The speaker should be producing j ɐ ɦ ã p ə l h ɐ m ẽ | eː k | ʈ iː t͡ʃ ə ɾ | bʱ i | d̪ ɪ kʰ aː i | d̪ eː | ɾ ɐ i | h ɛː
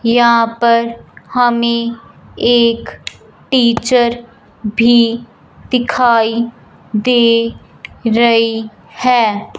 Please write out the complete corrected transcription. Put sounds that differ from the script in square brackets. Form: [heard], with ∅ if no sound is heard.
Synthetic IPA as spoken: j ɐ ɦ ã p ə [ɾ] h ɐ m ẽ | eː k | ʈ iː t͡ʃ ə ɾ | bʱ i | d̪ ɪ kʰ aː i | d̪ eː | ɾ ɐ i | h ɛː